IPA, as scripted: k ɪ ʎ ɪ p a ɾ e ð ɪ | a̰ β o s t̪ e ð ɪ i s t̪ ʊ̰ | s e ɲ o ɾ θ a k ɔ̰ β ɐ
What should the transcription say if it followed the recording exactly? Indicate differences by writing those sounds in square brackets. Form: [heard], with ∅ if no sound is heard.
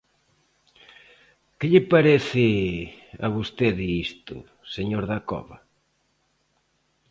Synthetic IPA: k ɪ ʎ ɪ p a ɾ e [θ] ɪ | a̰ β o s t̪ e ð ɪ i s t̪ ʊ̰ | s e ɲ o ɾ [ð] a k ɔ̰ β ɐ